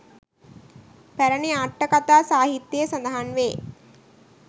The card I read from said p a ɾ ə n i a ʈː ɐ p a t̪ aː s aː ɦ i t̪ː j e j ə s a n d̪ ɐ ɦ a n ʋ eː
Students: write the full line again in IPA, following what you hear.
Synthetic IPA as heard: p æ ɾ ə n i a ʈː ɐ k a t̪ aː s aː ɦ i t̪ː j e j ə s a n d̪ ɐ ɦ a n ʋ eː